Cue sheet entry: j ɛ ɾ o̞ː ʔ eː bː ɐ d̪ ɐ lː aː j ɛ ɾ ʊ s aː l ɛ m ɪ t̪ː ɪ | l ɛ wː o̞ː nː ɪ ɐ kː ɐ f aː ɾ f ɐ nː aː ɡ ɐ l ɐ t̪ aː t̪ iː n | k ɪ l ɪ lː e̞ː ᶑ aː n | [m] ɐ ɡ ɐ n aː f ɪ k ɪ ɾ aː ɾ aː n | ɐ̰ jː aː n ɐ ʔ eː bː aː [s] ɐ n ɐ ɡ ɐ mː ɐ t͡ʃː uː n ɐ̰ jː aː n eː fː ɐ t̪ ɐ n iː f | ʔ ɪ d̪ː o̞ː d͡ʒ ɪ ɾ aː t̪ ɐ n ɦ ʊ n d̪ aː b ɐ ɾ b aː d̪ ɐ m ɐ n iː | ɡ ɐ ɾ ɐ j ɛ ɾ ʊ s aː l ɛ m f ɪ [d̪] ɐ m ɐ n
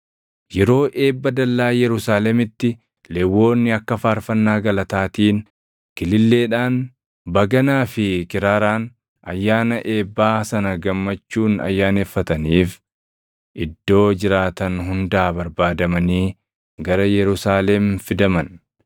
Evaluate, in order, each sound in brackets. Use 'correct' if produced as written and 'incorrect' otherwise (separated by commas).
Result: incorrect, correct, correct